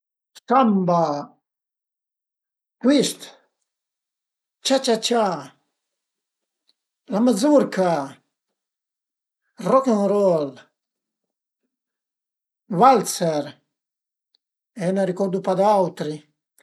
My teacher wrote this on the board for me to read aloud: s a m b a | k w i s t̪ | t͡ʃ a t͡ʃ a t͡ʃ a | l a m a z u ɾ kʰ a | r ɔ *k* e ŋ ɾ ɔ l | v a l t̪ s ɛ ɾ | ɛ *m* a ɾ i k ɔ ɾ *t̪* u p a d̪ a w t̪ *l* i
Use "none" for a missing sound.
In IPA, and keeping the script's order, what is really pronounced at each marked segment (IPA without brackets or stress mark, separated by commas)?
k, n, d̪, ɾ